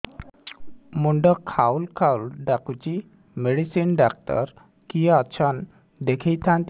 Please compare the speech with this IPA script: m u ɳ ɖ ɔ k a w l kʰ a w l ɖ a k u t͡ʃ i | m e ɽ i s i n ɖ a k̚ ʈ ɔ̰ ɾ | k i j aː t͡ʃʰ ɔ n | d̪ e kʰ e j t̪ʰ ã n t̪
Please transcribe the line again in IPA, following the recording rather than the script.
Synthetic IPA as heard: m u ɳ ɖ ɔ kʰ a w l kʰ a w l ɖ a k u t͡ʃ i | m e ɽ i s i n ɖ a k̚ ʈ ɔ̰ ɾ | k i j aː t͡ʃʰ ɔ n | d̪ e kʰ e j t̪ʰ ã n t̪